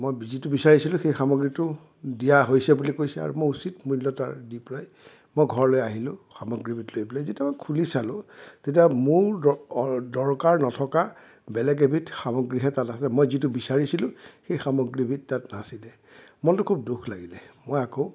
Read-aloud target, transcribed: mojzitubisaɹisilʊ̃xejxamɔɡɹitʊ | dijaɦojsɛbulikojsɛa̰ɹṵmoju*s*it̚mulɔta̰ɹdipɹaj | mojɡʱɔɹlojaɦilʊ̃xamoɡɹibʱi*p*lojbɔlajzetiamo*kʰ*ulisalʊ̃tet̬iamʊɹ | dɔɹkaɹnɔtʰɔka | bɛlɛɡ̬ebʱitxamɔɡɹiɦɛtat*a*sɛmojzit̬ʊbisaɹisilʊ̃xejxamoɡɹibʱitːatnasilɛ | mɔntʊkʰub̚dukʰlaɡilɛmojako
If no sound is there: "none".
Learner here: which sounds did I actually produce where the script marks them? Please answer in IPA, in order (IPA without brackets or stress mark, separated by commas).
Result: s, t, kʰ, a